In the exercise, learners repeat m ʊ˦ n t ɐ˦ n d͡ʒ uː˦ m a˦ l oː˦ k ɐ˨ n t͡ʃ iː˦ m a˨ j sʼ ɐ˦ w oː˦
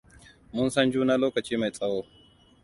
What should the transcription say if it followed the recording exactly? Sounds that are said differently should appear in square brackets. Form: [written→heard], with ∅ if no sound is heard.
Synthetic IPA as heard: m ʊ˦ n [t→s] ɐ˦ n d͡ʒ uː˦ [m→n] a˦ l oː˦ k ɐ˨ [n→∅] t͡ʃ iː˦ m a˨ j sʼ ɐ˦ w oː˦